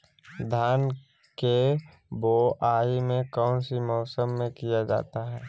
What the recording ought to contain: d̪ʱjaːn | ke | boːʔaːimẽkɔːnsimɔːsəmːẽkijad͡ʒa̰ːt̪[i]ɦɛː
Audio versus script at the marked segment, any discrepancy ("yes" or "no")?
yes